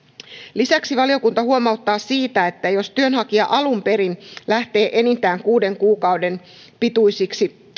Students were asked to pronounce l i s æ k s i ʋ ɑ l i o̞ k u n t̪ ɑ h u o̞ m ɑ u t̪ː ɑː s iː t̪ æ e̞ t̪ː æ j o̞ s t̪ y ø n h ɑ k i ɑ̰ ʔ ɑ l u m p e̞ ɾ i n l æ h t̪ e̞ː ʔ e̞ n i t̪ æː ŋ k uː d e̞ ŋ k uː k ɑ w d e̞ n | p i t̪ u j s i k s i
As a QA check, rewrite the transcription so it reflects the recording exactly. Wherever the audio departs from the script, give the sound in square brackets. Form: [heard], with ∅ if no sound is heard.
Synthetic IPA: l i s æ k s i ʋ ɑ l i o̞ k u n t̪ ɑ h u o̞ m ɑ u t̪ː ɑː s iː t̪ æ e̞ t̪ː æ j o̞ s t̪ y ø n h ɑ k i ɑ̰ ʔ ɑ l u m p e̞ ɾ i n l æ h t̪ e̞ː ʔ e̞ n i t̪ æː ŋ k uː d e̞ ŋ k uː k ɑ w d e̞ n | p i t̪ u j s i k s i